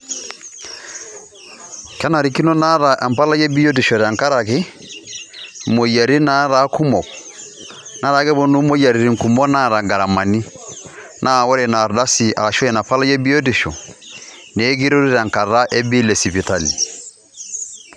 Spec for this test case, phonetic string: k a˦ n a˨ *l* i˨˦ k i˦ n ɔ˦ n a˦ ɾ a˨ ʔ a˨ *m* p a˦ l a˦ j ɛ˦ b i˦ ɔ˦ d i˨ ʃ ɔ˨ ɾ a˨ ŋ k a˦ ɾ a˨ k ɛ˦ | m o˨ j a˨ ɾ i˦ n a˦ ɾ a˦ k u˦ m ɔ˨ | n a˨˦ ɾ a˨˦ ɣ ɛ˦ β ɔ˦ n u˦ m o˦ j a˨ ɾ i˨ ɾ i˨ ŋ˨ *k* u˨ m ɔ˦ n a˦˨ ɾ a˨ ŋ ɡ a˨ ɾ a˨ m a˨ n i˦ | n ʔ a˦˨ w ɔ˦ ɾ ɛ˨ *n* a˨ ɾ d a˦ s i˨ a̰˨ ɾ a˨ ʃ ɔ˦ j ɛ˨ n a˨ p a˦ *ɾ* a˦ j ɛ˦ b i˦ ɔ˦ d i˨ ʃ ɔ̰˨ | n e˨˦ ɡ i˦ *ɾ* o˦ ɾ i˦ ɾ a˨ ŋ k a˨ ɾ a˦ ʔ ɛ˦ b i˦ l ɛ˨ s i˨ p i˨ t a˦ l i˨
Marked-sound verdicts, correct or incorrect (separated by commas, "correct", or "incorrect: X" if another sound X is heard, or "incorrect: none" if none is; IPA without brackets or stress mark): incorrect: ɾ, correct, correct, correct, incorrect: l, correct